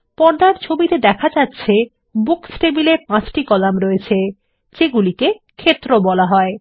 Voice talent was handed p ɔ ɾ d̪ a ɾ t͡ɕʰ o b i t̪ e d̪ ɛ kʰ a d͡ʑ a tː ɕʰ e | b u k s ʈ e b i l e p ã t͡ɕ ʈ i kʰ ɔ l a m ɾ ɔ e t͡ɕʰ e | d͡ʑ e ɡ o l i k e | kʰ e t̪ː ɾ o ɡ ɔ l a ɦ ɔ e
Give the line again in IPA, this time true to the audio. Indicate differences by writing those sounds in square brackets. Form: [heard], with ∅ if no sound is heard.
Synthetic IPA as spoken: p ɔ ɾ d̪ a ɾ t͡ɕʰ o b i t̪ e d̪ ɛ kʰ a d͡ʑ a tː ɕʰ e | b u k s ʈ e b i l e p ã t͡ɕ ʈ i [k] ɔ l a m ɾ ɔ e t͡ɕʰ e | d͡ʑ e ɡ [u] l i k e | kʰ e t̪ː ɾ o [b] ɔ l a ɦ ɔ e